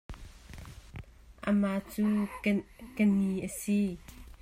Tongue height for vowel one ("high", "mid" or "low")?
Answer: mid